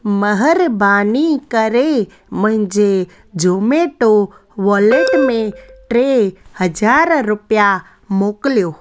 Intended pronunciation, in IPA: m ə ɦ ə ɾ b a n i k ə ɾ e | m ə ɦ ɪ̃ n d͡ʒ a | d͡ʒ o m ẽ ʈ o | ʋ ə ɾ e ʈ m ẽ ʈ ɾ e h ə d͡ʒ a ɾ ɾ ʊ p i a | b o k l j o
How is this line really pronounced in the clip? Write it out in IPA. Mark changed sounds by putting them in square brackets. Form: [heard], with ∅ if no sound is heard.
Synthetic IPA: m ə ɦ ə ɾ b a n i k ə ɾ e | m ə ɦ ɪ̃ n d͡ʒ [e] | d͡ʒ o m [e] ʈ o | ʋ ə [l] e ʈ m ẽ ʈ ɾ e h ə d͡ʒ a ɾ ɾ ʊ p [j] a | [m] o k l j o